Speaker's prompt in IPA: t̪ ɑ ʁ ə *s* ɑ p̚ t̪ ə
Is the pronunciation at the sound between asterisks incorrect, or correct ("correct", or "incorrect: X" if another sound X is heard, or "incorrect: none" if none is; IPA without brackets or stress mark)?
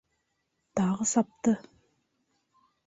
correct